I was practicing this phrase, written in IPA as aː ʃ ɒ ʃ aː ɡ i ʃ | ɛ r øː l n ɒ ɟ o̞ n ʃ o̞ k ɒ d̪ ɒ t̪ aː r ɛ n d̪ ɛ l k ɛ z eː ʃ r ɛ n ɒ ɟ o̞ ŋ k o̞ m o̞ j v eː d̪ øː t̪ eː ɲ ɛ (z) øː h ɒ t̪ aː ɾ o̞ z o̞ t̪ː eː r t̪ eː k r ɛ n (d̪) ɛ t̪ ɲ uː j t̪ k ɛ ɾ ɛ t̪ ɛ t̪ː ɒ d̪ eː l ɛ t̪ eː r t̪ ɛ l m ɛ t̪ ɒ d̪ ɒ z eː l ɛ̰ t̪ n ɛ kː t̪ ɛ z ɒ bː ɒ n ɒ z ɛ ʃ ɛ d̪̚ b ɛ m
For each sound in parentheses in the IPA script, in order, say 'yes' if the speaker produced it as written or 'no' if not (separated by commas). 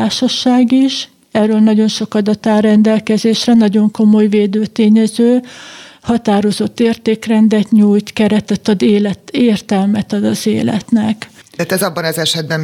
yes, yes